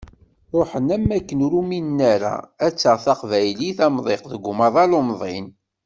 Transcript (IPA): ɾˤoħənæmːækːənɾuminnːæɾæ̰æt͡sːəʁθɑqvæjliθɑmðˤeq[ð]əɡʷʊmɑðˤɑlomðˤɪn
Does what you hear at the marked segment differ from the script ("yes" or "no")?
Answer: no